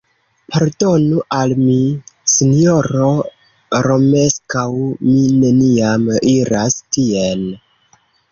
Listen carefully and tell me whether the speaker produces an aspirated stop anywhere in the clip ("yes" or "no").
no